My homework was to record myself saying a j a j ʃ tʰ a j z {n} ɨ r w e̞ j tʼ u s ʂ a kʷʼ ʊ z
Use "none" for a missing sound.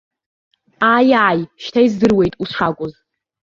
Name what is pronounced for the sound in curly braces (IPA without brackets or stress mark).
d